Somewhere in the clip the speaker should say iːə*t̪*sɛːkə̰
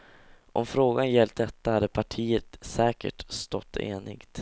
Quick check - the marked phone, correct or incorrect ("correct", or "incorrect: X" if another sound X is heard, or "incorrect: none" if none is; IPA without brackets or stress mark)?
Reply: correct